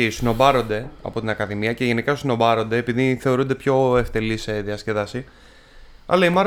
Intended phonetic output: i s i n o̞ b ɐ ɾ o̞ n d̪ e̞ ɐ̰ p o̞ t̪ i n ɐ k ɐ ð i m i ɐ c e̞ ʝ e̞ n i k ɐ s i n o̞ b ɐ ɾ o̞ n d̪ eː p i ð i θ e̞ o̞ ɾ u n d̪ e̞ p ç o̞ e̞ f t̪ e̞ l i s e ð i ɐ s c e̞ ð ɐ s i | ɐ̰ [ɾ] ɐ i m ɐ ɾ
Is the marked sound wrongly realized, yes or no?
yes